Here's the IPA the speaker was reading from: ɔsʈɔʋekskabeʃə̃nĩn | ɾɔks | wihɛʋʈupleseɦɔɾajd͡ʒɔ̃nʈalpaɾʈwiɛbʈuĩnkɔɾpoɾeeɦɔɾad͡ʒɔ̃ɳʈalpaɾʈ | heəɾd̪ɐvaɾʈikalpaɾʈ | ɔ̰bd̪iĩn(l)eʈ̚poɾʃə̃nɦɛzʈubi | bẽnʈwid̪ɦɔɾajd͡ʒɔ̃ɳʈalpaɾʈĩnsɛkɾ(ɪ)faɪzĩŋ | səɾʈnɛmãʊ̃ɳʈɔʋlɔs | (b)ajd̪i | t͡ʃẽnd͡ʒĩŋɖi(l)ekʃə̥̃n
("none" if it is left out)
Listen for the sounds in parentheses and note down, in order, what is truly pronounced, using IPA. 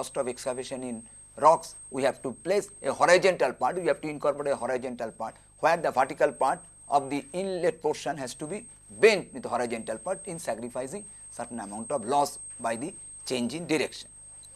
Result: l, i, b, ɾ

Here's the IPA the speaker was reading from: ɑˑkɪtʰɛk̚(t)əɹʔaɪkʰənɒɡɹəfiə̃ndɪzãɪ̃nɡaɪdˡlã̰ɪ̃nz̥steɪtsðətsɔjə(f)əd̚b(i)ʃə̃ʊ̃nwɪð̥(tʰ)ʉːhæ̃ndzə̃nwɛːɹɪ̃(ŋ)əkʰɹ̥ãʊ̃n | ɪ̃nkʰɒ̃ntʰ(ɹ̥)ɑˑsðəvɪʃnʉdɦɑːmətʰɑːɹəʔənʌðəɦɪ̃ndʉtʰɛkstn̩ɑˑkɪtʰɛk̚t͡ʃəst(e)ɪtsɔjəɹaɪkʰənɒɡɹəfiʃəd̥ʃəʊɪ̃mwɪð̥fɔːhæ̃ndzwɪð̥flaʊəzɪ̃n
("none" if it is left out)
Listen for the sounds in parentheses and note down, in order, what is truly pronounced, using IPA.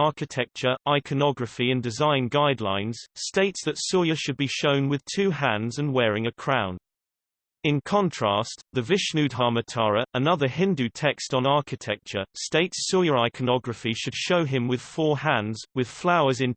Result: t͡ʃ, ʃ, i, tʰ, ŋ, ɹ̥, e

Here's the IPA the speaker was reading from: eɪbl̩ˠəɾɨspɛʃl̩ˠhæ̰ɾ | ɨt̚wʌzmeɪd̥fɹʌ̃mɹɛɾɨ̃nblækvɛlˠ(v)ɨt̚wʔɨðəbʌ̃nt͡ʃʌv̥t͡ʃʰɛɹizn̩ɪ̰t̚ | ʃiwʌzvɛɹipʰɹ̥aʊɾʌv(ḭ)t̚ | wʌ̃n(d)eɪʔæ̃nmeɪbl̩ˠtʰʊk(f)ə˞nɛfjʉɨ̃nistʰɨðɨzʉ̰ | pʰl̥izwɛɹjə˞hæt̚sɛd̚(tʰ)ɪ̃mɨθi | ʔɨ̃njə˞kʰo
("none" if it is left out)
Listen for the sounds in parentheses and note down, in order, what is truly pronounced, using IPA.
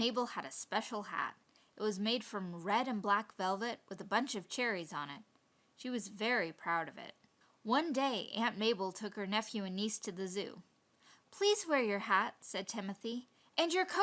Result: v, ɪ̰, d, h, tʰ

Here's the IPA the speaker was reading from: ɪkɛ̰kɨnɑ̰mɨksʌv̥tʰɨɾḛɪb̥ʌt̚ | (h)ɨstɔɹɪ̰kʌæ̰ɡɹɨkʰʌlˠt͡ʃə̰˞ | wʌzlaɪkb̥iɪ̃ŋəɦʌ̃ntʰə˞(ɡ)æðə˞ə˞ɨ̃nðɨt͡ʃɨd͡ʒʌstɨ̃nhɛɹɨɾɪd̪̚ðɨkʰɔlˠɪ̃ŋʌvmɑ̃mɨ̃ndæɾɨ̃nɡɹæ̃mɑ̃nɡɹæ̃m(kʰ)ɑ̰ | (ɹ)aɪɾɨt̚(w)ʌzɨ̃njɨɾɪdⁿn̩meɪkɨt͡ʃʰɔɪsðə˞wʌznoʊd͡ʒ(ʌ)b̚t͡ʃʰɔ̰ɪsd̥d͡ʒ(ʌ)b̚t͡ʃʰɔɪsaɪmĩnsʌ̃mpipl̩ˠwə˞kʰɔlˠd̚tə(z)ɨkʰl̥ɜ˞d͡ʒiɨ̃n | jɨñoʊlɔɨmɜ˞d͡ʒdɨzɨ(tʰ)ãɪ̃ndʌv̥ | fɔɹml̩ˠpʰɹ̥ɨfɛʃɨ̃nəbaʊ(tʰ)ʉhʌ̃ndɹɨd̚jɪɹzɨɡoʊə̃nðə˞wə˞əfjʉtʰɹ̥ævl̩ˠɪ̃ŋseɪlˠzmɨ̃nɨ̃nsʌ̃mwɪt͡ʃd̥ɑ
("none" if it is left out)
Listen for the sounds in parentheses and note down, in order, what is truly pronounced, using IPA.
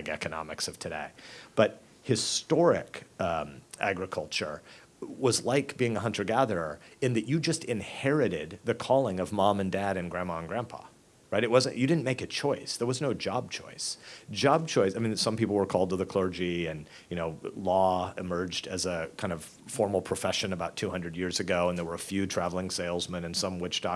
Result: h, ɡ, pʰ, ɹ, w, ɑ, ɑ, ð, kʰ, tʰ

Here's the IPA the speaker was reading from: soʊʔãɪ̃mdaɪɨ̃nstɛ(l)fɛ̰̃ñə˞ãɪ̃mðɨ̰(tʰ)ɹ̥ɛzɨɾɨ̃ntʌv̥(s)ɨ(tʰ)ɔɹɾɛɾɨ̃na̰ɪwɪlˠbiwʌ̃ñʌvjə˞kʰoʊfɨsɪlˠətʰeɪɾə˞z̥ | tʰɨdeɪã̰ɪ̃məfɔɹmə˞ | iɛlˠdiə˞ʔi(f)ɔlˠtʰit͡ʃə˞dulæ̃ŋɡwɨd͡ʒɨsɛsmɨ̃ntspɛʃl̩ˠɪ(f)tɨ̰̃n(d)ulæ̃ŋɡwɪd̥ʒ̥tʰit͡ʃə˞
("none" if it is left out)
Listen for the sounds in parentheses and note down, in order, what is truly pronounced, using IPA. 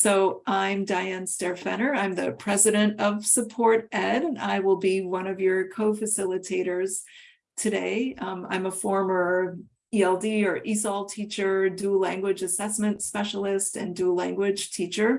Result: ɹ, pʰ, s, pʰ, s, s, d

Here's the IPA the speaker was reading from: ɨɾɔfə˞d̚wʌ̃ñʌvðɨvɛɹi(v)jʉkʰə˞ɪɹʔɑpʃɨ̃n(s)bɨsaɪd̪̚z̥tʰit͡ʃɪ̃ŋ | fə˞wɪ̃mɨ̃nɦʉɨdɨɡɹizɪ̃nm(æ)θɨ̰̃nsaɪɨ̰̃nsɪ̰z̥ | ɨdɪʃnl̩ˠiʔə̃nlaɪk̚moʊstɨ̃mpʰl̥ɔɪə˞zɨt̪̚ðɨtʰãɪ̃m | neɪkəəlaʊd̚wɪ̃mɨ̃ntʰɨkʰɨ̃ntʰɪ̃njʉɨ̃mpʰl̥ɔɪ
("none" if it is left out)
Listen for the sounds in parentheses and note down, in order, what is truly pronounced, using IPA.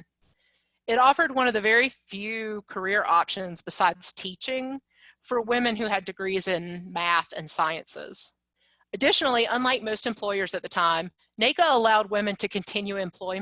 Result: f, z, æ

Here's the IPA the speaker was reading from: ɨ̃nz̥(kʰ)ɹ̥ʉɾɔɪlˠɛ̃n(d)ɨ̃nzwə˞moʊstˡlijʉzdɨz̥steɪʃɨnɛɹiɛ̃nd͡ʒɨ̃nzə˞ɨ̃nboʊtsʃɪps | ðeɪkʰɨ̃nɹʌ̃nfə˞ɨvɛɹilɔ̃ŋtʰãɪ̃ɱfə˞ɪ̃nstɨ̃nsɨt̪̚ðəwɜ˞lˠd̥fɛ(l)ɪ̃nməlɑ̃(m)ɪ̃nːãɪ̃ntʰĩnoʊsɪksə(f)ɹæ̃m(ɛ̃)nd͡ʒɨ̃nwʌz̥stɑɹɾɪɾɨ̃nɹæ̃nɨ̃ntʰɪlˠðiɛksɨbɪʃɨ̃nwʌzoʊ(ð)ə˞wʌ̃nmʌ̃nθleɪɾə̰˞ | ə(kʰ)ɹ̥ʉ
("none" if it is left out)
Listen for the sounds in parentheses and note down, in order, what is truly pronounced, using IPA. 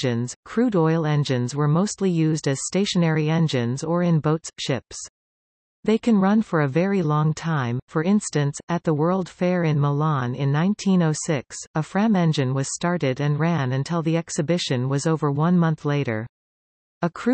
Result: kʰ, d͡ʒ, ɹ, n, f, ɛ̃, v, kʰ

